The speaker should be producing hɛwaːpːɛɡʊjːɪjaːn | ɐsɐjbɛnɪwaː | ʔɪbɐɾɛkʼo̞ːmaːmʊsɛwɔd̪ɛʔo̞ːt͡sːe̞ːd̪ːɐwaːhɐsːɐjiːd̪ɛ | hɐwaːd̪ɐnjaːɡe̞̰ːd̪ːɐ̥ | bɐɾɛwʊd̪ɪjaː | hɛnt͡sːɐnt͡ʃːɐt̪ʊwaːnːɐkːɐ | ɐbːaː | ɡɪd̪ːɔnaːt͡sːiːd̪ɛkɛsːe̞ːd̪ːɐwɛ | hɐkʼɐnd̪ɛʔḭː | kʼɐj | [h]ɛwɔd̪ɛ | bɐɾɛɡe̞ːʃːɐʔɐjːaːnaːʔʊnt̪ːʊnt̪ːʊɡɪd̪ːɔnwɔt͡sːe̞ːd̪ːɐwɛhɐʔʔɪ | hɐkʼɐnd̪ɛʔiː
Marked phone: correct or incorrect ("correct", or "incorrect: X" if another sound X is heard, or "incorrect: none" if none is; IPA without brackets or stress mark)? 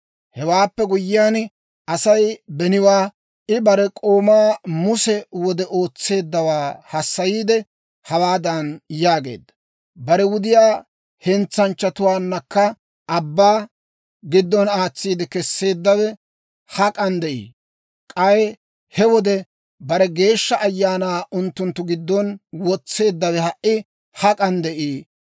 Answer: correct